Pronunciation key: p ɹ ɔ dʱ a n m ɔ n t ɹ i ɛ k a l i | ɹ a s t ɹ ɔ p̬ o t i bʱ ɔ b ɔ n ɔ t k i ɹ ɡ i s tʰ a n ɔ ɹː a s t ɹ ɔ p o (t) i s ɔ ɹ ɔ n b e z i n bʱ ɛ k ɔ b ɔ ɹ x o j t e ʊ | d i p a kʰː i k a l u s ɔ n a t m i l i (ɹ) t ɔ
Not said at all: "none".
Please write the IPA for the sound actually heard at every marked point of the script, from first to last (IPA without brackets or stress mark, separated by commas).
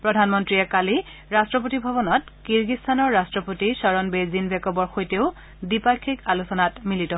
t, none